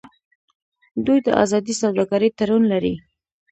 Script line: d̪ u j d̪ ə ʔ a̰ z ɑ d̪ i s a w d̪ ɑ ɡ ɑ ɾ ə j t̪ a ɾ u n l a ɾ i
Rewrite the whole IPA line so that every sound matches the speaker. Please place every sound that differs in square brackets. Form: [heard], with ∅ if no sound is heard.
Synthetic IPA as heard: d̪ u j d̪ ə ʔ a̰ z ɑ d̪ i s a w d̪ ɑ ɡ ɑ ɾ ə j t̪ a ɾ u n l a ɾ i